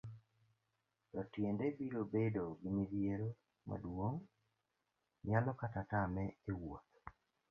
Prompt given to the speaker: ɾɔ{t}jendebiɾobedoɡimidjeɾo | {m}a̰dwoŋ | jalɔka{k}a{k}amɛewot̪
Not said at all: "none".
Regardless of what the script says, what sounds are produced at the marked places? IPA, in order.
t, m, t, t

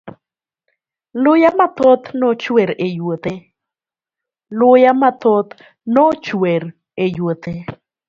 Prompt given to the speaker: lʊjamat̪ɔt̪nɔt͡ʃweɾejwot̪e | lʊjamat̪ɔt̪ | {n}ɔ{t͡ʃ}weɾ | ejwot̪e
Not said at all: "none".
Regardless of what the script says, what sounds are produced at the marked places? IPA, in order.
n, t͡ʃ

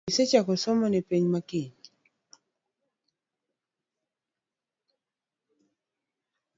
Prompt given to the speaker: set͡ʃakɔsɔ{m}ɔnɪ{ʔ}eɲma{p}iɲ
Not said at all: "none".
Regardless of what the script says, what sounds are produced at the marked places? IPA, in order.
m, p, k

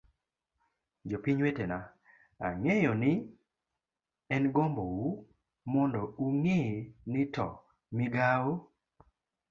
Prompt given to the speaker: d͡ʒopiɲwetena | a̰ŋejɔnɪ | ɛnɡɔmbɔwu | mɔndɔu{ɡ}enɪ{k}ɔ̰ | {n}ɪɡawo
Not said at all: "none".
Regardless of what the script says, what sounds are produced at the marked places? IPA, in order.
ŋ, t, m

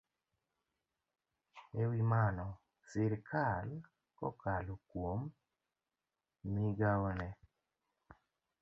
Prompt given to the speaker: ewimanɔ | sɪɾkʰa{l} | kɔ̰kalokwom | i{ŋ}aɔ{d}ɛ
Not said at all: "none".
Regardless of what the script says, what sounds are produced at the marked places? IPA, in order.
l, ɡ, n

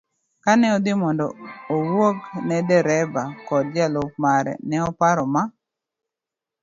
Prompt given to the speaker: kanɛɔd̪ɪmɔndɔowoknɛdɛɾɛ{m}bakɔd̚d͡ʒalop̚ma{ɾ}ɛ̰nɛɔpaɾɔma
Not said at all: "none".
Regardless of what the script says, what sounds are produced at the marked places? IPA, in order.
none, ɾ

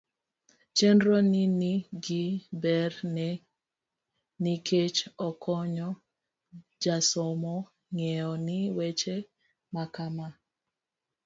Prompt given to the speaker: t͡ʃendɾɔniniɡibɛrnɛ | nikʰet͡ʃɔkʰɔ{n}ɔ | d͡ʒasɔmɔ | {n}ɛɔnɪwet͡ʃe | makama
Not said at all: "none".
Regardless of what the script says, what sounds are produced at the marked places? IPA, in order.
ɲ, ŋ

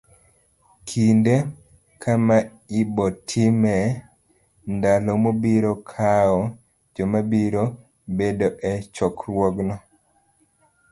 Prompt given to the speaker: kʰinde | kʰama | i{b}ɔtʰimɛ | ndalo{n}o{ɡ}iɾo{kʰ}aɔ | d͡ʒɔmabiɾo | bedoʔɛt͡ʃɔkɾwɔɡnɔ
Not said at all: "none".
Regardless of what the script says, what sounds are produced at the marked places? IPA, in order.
b, m, b, kʰ

